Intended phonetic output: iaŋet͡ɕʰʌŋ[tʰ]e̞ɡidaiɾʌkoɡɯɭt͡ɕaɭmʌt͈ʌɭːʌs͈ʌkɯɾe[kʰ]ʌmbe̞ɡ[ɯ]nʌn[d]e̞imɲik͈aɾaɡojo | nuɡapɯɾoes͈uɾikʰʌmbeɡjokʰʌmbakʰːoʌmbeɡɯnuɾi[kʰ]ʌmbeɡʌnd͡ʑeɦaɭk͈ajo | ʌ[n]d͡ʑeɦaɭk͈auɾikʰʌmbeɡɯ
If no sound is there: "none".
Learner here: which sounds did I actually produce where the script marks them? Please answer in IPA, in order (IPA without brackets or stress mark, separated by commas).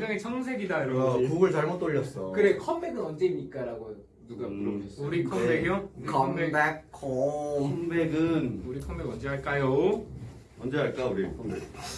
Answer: sʰ, kʰ, ɯ, d͡ʑ, kʰ, n